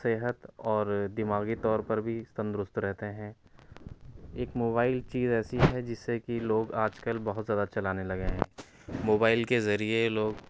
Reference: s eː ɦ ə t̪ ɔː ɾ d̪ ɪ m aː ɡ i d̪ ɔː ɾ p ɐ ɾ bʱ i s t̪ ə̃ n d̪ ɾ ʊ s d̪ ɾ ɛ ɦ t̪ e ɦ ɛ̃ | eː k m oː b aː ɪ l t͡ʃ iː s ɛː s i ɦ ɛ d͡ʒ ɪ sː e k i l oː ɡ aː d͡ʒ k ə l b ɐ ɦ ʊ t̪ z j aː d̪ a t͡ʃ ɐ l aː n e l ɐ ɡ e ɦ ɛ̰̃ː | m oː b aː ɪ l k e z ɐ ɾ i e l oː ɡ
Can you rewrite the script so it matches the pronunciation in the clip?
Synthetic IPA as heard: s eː ɦ ə t̪ ɔː ɾ d̪ ɪ m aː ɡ i t̪ ɔː ɾ p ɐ ɾ bʱ i s t̪ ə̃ n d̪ ɾ ʊ s t̪ ɾ ɛ ɦ t̪ e ɦ ɛ̃ | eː k m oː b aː ɪ l t͡ʃ iː z ɛː s i ɦ ɛ d͡ʒ ɪ sː e k i l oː ɡ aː d͡ʒ k ə l b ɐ ɦ ʊ t̪ z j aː d̪ a t͡ʃ ɐ l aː n e l ɐ ɡ e ɦ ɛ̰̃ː | m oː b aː ɪ l k e z ɐ ɾ i e l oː ɡ